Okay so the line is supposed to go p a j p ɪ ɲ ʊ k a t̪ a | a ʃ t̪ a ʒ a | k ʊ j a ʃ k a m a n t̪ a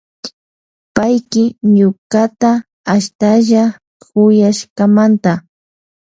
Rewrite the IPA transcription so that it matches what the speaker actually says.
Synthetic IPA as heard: p a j k ɪ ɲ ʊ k a t̪ a | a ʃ t̪ a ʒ a | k ʊ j a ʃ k a m a n t̪ a